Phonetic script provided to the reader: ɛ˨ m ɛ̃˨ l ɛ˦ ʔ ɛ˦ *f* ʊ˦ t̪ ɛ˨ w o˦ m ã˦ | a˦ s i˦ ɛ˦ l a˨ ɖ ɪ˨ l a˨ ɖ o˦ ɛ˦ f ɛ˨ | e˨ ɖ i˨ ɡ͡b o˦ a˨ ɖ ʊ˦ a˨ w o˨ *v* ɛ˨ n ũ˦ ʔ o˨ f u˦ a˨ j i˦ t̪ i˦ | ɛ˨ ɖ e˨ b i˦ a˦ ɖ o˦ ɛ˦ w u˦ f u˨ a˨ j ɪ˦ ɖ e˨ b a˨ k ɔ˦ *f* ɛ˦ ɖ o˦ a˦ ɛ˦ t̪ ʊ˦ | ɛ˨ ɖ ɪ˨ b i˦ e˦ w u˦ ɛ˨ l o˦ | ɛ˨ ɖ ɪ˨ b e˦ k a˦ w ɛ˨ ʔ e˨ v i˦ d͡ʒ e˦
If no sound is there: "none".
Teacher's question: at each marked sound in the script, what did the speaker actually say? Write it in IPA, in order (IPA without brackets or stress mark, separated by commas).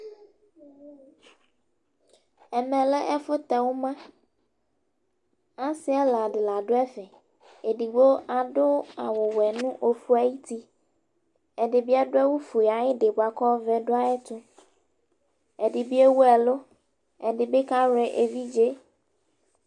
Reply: f, w, v